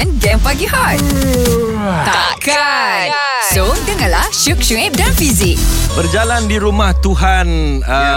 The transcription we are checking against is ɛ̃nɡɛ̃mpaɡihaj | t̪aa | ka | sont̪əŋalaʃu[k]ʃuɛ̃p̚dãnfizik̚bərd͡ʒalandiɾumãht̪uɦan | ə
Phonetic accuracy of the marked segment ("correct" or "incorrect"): correct